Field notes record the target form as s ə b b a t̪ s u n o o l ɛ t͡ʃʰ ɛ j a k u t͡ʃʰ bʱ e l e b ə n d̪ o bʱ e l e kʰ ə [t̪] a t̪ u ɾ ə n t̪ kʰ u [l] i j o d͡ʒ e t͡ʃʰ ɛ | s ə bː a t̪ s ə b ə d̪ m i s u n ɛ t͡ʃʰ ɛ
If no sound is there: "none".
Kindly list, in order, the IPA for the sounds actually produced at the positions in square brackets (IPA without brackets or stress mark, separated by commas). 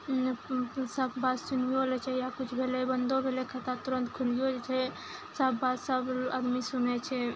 t̪, l